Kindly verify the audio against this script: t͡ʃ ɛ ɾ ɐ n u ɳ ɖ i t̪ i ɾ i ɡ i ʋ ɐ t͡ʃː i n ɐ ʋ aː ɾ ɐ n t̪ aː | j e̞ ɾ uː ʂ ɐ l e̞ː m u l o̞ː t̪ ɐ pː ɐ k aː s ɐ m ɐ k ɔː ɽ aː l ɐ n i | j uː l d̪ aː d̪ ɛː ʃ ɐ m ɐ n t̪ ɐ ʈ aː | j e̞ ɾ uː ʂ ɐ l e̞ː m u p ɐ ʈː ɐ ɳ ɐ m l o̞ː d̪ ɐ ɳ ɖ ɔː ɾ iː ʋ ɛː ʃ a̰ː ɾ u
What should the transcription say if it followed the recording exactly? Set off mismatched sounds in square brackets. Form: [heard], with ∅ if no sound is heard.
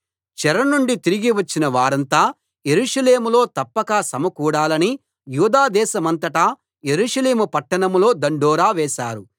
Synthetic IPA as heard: t͡ʃ ɛ ɾ ɐ n u ɳ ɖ i t̪ i ɾ i ɡ i ʋ ɐ t͡ʃː i n ɐ ʋ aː ɾ ɐ n t̪ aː | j e̞ ɾ uː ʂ ɐ l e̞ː m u l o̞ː t̪ ɐ pː ɐ k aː s ɐ m ɐ k [uː] ɽ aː l ɐ n i | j uː [∅] d̪ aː d̪ ɛː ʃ ɐ m ɐ n t̪ ɐ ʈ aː | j e̞ ɾ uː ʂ ɐ l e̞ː m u p ɐ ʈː ɐ ɳ ɐ m l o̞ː d̪ ɐ ɳ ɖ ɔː ɾ [aː] ʋ ɛː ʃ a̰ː ɾ u